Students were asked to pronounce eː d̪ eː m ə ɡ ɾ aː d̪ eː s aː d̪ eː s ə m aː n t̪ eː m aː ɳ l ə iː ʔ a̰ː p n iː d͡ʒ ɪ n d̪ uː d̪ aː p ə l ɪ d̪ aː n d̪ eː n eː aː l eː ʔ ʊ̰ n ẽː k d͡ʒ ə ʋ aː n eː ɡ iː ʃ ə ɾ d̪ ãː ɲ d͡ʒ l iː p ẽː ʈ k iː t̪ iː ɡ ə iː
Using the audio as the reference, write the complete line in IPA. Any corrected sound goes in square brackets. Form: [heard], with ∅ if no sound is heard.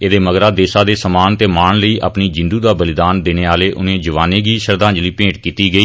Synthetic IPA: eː d̪ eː m ə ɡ ɾ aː d̪ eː s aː d̪ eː s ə m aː n t̪ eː m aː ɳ l ə iː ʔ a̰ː p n iː d͡ʒ ɪ n d̪ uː d̪ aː [b] ə l ɪ d̪ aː n d̪ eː n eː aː l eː ʔ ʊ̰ n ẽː [∅] d͡ʒ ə ʋ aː n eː ɡ iː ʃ ə ɾ d̪ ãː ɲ d͡ʒ l iː p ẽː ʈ k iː t̪ iː ɡ ə iː

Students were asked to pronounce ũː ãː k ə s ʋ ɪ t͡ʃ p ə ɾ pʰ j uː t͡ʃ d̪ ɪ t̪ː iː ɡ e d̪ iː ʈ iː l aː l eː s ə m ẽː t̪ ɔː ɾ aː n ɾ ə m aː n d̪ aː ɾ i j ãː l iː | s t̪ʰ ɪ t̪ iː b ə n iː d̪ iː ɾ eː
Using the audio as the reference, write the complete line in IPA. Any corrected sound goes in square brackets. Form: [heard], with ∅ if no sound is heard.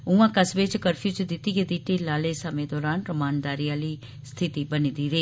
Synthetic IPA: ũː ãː k ə s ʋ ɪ t͡ʃ [k] ə ɾ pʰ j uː t͡ʃ d̪ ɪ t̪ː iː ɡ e d̪ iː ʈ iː l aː l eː s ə m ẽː [d̪] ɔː ɾ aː n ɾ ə m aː n d̪ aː ɾ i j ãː l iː | s t̪ʰ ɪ t̪ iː b ə n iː d̪ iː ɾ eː

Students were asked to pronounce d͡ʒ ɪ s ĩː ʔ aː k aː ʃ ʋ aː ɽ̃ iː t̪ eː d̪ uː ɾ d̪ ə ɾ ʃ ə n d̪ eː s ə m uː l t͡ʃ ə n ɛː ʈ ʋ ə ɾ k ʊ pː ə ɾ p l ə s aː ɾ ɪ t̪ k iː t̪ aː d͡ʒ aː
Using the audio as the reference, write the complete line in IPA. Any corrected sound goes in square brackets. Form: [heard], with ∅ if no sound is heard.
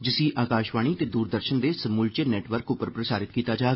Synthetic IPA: d͡ʒ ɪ s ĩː ʔ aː k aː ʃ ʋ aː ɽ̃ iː t̪ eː d̪ uː ɾ d̪ ə ɾ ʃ ə n d̪ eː s ə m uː l t͡ʃ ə n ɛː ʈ ʋ ə ɾ k ʊ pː ə ɾ p [ɾ] ə s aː ɾ ɪ t̪ k iː t̪ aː d͡ʒ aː

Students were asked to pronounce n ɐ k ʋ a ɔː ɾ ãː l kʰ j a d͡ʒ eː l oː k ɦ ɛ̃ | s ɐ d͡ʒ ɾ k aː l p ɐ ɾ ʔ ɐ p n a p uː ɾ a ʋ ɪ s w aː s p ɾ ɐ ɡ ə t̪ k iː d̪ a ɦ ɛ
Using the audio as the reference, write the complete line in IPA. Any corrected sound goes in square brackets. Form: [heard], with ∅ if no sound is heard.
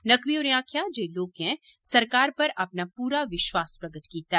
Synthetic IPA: n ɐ k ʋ [i] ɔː ɾ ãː [∅] kʰ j a d͡ʒ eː l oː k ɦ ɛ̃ | s ɐ [∅] ɾ k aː [ɾ] p ɐ ɾ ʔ ɐ p n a p uː ɾ a ʋ ɪ [ʃ] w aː s p ɾ ɐ ɡ ə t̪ k iː [t̪] a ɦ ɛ

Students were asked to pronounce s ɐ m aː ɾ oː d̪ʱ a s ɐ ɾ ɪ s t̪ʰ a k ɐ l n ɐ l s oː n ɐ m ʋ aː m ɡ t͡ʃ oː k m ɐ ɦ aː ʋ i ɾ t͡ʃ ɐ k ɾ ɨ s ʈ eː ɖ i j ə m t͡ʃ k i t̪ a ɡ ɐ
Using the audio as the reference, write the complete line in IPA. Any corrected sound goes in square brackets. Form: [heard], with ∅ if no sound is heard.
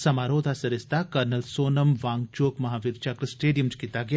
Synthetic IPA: s ɐ m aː ɾ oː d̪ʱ a s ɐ ɾ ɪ s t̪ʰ a k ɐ [ɾ] n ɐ l s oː n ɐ m ʋ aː [ŋ] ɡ t͡ʃ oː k m ɐ ɦ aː ʋ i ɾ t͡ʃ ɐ k ɾ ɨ s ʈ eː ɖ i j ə m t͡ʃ k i t̪ a ɡ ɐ

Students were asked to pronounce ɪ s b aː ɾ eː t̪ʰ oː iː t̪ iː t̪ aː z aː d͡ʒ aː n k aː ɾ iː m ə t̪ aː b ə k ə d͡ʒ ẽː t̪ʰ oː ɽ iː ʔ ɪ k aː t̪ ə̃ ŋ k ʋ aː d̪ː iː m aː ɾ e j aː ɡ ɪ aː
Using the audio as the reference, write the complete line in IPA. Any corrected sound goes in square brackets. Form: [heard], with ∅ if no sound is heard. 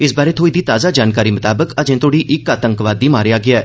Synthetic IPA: ɪ s b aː ɾ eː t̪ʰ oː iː [d̪] iː t̪ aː z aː d͡ʒ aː n k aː ɾ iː m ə t̪ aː b ə k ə d͡ʒ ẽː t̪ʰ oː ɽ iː ʔ ɪ k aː t̪ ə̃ ŋ k ʋ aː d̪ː iː m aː ɾ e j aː ɡ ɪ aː

